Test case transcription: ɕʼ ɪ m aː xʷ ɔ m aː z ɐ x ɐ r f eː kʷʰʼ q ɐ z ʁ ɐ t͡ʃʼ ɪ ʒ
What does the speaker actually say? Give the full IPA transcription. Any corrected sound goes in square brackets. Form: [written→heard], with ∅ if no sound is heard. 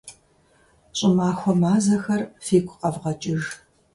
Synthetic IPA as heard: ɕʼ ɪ m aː xʷ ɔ m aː z ɐ x ɐ r f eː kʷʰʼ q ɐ [z→v] ʁ ɐ t͡ʃʼ ɪ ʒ